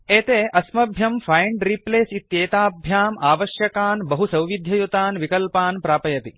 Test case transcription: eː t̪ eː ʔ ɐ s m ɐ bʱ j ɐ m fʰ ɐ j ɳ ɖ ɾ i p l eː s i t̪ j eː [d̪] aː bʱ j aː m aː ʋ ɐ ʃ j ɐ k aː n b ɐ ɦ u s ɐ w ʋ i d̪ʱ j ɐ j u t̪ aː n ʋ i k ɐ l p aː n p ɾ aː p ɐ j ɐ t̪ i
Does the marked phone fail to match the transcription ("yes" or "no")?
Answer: yes